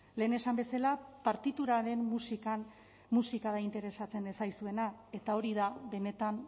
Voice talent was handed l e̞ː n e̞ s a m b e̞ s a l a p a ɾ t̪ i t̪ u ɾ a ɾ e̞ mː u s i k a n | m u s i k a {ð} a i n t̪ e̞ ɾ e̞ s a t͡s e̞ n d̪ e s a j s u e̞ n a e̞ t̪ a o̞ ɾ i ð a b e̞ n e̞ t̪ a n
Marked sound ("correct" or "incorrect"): correct